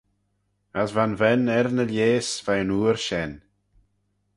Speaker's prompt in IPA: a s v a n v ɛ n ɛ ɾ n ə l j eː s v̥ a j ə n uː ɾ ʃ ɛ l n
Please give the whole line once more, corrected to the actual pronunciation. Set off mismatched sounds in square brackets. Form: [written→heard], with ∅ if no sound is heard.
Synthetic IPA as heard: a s v a n v ɛ n ɛ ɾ n ə l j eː s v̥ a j ə n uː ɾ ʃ ɛ [l→∅] n